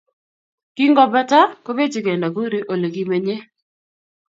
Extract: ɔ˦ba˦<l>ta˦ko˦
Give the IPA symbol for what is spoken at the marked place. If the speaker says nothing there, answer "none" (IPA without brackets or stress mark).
none